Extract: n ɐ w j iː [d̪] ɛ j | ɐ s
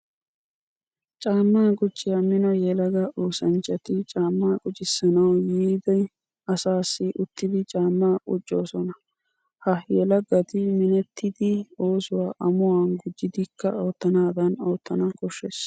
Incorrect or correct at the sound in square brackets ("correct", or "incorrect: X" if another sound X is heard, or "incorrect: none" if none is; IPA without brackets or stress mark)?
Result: correct